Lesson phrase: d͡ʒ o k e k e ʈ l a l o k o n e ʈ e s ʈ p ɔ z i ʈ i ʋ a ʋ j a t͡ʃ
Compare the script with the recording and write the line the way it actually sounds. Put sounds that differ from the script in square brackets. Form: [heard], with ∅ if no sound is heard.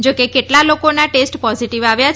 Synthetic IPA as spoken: d͡ʒ o k e k e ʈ l a l o k o n [a] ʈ e s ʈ p ɔ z i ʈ i ʋ a ʋ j a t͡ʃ